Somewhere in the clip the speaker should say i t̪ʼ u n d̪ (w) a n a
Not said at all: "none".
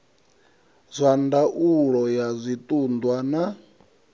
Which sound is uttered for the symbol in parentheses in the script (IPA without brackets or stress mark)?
w